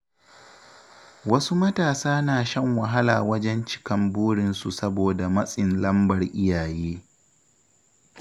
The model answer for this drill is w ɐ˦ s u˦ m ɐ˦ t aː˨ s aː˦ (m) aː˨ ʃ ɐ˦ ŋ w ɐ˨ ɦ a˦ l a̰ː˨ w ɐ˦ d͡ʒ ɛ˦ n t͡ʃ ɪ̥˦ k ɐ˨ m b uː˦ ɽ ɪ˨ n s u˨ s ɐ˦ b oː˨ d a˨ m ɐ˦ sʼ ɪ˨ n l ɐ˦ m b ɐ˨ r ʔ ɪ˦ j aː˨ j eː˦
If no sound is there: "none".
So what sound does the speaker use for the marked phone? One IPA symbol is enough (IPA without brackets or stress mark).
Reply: n